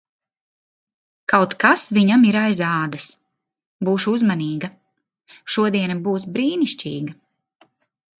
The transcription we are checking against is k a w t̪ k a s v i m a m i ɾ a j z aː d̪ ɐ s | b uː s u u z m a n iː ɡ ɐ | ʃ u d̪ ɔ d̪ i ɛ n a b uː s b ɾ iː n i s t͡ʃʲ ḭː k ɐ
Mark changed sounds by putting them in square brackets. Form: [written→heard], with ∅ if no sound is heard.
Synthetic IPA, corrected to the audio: k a w t̪ k a s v i [m→ɲ] a m i ɾ a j z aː d̪ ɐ s | b uː [s→ʃ] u u z m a n iː ɡ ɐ | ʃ u [d̪→∅] ɔ d̪ i ɛ n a b uː s b ɾ iː n i [s→ʃ] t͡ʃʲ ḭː [k→ɡ] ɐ